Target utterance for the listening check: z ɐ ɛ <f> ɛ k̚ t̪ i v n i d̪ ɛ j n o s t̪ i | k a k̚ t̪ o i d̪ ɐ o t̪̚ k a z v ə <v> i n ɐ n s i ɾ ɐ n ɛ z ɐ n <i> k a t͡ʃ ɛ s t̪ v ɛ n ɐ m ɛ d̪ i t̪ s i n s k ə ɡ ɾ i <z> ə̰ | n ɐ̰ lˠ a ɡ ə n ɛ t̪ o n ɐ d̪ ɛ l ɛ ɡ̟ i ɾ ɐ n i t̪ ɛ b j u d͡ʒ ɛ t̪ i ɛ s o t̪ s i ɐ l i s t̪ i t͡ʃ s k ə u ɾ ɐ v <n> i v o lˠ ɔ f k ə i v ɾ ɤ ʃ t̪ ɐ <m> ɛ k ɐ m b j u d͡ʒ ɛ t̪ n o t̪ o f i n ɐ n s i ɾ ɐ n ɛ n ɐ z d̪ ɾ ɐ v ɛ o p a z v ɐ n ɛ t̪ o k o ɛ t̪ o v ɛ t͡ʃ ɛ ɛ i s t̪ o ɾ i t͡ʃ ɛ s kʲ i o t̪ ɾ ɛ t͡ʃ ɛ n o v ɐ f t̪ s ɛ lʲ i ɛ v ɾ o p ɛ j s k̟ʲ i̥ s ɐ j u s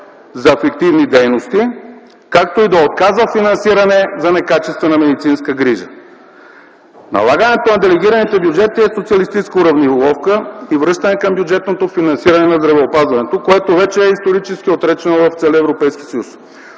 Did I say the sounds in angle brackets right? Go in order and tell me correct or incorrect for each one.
correct, incorrect, incorrect, incorrect, correct, incorrect

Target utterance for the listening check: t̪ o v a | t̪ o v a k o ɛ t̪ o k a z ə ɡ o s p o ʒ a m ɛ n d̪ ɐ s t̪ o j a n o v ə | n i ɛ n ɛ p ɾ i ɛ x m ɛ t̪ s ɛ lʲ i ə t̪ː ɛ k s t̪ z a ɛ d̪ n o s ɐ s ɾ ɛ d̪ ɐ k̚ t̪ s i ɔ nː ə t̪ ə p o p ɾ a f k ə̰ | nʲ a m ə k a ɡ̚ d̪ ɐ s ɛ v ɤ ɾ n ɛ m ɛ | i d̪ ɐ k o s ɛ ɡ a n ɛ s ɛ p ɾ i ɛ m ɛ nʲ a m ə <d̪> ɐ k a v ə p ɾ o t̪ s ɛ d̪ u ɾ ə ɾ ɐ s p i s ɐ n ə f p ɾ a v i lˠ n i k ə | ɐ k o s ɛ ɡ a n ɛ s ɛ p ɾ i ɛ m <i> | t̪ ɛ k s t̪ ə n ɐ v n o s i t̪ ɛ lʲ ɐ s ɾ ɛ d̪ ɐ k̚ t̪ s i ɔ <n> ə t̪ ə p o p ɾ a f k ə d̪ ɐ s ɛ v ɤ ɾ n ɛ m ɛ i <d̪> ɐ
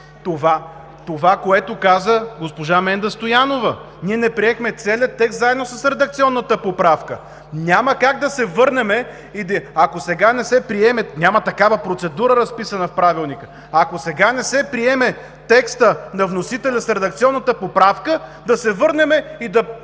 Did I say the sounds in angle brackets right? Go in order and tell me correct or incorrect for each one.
incorrect, incorrect, incorrect, correct

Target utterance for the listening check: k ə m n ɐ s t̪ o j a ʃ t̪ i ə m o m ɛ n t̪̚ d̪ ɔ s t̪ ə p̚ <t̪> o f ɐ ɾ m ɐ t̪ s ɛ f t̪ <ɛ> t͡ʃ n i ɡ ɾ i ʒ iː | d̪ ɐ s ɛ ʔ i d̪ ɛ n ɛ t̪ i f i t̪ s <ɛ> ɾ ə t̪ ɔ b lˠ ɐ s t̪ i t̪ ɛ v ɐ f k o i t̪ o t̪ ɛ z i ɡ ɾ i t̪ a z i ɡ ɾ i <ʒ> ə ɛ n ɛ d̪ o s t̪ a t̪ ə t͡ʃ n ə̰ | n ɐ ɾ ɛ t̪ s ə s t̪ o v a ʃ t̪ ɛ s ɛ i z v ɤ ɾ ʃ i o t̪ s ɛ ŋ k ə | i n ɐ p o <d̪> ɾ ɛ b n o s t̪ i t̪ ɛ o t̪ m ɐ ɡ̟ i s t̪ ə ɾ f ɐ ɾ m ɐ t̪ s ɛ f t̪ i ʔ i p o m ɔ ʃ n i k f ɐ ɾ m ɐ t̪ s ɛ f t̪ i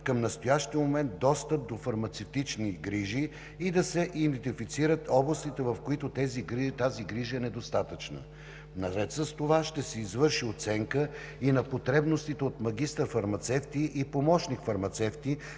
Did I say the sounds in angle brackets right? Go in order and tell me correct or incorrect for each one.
incorrect, incorrect, incorrect, correct, incorrect

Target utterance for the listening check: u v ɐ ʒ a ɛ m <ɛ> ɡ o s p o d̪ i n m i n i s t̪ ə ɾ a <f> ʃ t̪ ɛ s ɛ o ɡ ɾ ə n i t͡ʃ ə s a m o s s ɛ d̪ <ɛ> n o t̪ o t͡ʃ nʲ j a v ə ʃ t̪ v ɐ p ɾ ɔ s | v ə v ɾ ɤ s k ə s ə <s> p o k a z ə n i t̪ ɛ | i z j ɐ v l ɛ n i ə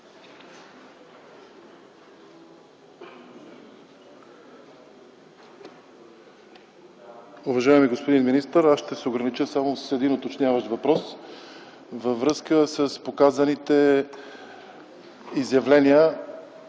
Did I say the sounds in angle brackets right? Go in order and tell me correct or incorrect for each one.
incorrect, incorrect, incorrect, correct

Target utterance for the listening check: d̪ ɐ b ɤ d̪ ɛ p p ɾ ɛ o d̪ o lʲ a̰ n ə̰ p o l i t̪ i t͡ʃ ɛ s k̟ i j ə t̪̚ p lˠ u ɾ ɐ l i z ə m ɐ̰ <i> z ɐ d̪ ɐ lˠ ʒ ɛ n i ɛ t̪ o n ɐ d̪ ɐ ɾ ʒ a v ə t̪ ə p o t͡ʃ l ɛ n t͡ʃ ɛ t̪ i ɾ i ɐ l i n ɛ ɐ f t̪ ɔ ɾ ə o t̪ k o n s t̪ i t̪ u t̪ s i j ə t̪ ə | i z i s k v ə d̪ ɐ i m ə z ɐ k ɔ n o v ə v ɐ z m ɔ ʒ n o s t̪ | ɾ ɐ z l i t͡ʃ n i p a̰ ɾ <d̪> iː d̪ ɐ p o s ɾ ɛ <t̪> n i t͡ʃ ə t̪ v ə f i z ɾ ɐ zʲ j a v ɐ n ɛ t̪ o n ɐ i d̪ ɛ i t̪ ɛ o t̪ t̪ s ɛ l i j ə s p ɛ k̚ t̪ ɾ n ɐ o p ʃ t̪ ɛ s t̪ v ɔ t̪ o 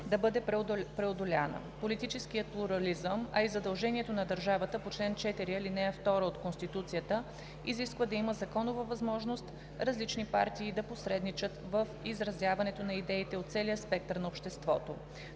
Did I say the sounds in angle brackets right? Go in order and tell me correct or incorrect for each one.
correct, incorrect, incorrect

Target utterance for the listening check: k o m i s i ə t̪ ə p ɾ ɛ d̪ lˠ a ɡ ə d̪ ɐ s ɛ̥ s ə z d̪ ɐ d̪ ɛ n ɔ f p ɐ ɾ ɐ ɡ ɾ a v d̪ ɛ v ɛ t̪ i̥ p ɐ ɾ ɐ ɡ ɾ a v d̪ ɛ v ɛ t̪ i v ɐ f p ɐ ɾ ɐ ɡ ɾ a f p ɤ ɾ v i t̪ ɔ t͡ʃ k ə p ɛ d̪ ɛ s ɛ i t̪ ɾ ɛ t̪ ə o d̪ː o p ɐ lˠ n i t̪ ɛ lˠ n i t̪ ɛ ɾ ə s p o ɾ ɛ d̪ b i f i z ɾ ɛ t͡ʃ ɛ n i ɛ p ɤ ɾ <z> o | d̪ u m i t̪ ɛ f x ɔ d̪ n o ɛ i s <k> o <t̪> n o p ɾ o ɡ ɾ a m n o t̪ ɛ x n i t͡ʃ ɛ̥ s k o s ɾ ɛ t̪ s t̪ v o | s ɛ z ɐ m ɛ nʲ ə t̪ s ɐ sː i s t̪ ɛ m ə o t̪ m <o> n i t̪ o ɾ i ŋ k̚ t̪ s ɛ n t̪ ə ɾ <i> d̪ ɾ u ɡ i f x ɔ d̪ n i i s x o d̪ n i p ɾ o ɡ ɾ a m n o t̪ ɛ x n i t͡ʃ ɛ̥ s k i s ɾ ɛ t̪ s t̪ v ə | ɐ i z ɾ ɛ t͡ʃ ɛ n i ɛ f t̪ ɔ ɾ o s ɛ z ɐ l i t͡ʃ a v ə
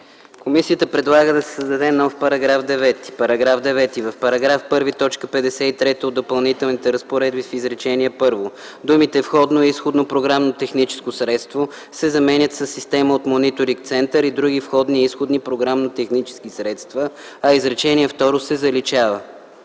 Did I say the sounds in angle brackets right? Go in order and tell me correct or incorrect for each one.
incorrect, incorrect, incorrect, correct, correct

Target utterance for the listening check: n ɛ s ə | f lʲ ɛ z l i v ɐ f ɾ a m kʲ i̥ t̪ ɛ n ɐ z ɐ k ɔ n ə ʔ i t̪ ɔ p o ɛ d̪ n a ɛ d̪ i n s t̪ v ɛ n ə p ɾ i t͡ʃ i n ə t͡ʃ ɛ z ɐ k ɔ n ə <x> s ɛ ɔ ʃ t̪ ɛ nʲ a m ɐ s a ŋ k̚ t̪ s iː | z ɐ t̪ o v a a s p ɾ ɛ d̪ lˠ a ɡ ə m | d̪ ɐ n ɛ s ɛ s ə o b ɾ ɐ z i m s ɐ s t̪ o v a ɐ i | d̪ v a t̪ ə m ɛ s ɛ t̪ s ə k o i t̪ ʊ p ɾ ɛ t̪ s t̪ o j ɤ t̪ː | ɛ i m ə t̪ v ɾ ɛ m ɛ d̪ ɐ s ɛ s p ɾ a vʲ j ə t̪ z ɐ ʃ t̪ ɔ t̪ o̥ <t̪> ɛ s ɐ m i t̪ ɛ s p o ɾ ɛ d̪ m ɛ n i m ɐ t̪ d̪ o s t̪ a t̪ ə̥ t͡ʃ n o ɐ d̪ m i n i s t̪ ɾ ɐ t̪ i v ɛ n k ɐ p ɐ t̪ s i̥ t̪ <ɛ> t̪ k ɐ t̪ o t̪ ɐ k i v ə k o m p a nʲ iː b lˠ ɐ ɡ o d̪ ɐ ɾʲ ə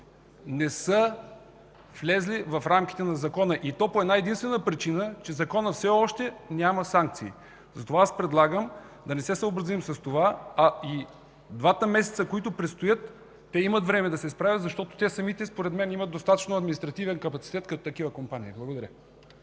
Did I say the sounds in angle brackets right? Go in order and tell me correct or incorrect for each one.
incorrect, correct, correct

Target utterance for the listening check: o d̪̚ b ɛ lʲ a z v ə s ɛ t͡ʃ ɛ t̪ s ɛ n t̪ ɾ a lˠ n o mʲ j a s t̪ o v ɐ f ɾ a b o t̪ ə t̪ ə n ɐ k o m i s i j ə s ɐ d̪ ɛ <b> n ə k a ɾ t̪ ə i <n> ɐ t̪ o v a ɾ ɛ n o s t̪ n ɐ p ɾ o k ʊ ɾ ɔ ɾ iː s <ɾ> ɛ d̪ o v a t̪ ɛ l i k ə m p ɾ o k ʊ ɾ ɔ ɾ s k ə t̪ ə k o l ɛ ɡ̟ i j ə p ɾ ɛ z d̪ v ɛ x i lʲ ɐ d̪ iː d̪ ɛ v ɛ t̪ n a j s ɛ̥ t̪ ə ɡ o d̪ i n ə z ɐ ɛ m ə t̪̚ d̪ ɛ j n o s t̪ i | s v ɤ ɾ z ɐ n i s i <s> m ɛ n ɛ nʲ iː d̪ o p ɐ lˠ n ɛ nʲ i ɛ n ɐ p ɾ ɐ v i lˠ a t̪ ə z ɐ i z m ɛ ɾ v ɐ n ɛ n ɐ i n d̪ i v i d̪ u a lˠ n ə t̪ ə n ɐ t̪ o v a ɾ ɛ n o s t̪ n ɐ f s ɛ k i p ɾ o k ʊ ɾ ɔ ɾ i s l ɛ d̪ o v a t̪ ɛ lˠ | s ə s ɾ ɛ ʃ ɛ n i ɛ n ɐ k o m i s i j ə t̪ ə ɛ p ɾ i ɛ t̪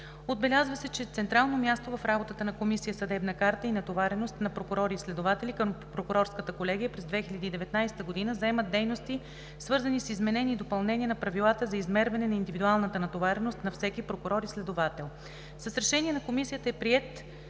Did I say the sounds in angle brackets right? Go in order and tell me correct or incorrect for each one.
correct, correct, incorrect, incorrect

